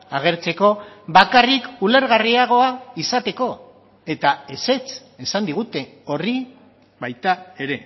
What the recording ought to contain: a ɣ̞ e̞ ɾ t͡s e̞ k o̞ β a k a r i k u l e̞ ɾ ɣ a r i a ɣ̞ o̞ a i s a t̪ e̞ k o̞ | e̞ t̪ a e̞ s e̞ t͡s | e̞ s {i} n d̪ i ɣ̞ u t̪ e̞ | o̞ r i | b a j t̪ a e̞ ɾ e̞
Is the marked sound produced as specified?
no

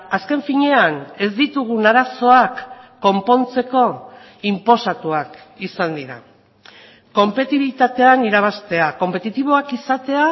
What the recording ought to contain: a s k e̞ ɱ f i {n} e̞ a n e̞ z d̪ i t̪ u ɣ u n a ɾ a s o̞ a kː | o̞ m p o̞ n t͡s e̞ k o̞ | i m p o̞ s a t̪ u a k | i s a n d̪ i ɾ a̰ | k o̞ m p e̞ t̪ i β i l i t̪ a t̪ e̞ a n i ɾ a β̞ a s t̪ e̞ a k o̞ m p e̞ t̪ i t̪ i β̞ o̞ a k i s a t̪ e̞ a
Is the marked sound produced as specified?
no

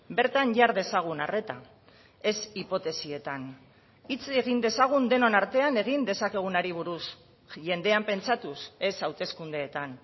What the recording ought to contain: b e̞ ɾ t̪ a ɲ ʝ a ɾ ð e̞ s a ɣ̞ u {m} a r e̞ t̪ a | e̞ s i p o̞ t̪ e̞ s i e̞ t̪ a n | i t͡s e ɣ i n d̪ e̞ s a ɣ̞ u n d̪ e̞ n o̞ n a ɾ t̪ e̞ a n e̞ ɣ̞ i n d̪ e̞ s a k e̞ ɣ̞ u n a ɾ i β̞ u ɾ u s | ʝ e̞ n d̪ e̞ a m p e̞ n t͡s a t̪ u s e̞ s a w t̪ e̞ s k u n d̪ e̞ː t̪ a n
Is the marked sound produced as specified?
no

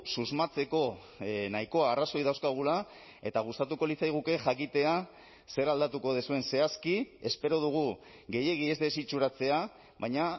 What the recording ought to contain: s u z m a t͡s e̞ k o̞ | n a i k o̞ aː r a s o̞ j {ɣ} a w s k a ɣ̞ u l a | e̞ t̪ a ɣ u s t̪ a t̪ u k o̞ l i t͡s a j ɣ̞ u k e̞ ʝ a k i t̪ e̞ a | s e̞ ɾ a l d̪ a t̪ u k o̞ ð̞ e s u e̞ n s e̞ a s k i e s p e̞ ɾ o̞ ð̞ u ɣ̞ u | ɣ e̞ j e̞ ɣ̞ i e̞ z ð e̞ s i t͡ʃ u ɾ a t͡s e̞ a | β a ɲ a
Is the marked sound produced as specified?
no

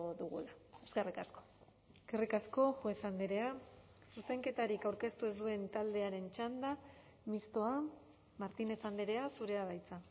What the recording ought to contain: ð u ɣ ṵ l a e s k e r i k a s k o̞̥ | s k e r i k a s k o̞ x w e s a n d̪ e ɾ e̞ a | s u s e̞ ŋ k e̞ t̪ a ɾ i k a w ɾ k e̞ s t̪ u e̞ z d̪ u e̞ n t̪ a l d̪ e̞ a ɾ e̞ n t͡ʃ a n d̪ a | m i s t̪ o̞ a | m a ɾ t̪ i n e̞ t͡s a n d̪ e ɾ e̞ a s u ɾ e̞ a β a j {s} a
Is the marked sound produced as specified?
no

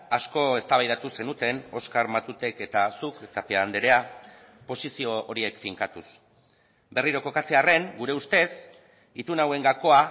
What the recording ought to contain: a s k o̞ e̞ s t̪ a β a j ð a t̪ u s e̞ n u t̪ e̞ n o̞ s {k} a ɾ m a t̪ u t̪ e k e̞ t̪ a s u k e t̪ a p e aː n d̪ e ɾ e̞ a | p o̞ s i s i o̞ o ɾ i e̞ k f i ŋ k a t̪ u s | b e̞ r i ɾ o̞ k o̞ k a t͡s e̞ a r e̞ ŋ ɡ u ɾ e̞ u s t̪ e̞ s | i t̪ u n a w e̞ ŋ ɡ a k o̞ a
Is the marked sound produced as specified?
yes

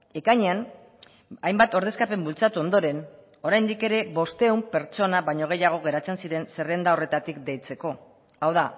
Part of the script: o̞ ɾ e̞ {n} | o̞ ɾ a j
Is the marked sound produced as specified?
yes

